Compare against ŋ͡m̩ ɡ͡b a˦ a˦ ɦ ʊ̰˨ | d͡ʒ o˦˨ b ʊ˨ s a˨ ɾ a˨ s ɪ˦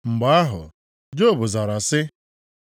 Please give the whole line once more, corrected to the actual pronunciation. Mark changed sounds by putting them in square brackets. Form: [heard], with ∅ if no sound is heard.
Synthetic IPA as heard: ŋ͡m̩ ɡ͡b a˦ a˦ ɦ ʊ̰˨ | d͡ʒ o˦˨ b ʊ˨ [z] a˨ ɾ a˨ s ɪ˦